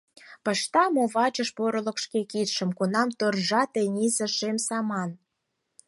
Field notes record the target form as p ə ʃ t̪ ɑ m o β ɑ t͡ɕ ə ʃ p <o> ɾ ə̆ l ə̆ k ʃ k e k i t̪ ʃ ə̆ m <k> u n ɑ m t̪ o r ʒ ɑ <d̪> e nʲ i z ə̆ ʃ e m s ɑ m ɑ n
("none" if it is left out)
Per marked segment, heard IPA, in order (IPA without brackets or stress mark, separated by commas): o, k, t̪